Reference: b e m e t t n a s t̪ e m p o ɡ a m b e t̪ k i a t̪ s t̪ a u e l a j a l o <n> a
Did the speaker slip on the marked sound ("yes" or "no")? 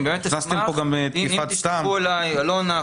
no